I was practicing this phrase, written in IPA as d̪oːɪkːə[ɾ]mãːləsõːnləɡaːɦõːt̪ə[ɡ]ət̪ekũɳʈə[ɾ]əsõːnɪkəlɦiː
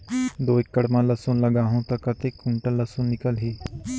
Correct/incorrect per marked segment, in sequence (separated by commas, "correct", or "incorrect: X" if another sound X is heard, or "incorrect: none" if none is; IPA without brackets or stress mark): incorrect: ɽ, incorrect: k, incorrect: l